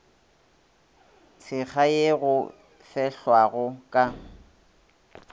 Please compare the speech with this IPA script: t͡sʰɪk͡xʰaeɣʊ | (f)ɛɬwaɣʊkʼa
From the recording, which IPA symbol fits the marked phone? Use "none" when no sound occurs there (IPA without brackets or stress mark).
f